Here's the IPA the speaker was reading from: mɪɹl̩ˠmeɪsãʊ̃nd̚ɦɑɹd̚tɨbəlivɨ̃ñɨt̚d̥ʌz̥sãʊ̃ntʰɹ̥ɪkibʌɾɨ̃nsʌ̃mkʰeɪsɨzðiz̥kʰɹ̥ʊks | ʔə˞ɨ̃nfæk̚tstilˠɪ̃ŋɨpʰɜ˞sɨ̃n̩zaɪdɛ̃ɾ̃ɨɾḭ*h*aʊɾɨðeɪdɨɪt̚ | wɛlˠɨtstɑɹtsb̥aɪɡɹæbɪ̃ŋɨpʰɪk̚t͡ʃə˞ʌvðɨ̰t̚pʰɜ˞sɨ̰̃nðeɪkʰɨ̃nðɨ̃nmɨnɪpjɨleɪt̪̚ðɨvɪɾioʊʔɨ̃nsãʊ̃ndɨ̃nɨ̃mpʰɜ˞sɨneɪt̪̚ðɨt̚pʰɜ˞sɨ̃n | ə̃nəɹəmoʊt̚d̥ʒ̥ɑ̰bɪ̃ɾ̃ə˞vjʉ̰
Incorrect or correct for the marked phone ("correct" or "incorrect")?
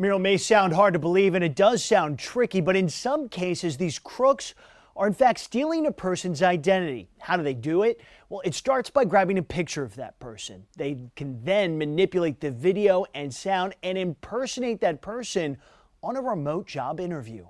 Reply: correct